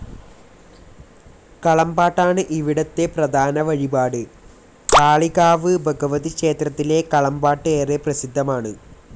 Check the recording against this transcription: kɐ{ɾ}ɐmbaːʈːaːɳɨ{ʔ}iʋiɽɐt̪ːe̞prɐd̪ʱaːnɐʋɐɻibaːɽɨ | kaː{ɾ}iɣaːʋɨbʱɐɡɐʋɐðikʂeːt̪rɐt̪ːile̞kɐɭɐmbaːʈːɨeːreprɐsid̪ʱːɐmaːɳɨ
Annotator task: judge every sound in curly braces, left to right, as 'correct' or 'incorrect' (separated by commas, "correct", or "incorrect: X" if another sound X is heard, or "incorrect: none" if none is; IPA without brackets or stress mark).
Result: incorrect: ɭ, correct, incorrect: ɭ